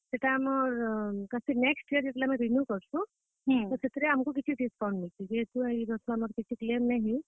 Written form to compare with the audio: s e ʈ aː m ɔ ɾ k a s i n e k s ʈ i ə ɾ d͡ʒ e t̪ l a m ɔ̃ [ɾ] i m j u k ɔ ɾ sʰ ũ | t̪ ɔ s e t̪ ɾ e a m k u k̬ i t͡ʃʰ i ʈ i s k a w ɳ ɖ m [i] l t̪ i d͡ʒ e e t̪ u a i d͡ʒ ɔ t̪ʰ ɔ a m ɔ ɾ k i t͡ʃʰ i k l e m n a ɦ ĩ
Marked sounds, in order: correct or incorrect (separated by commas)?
correct, correct